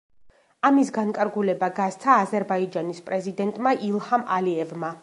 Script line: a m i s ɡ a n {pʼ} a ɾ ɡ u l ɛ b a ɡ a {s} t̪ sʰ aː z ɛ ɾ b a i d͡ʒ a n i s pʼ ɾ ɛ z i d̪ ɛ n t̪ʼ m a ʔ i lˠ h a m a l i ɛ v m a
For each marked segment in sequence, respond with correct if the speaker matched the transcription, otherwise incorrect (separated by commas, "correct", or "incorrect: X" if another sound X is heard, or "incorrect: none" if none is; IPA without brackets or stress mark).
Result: incorrect: kʼ, correct